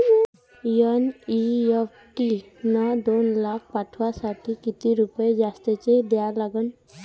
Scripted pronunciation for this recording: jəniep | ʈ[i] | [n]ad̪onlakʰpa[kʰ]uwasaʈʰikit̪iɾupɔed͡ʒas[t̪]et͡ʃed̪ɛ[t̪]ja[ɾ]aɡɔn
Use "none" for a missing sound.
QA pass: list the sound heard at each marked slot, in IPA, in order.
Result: i, n, ʈʰ, t̪, none, l

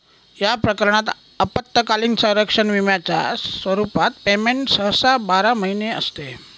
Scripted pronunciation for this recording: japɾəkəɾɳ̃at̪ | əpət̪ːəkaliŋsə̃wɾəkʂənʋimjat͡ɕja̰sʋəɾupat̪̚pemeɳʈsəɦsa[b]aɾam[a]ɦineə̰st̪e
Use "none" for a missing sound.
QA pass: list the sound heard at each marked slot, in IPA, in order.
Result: b, ə

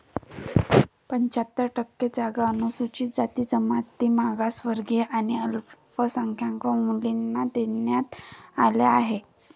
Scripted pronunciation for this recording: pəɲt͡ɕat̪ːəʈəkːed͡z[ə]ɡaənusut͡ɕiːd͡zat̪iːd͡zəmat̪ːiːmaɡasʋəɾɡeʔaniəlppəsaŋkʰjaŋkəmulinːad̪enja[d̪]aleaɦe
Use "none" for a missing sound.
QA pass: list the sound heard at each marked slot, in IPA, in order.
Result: a, t̪

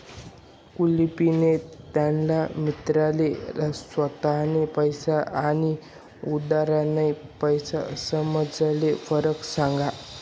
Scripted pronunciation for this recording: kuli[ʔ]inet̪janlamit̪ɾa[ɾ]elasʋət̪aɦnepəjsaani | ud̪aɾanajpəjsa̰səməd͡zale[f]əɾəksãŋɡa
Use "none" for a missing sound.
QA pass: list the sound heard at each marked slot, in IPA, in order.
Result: p, l, f

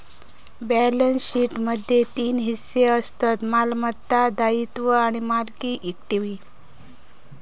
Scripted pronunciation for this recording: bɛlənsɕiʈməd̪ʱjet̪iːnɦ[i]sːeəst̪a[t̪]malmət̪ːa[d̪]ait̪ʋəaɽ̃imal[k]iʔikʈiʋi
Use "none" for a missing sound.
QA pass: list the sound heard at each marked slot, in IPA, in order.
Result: i, t̪, d̪, k

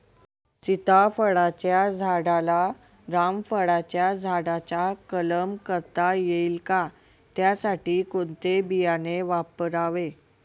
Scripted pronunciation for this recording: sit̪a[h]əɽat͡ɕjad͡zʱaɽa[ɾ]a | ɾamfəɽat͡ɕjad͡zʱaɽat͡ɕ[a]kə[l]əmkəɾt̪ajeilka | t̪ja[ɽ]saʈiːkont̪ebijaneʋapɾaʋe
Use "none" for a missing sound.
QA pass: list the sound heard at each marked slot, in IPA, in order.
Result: f, l, a, l, none

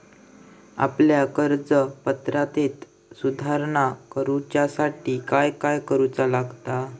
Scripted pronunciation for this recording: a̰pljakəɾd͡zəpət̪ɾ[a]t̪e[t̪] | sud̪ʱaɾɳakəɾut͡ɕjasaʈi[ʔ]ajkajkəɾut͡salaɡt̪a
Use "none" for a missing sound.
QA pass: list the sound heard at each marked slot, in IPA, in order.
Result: a, t̪, k

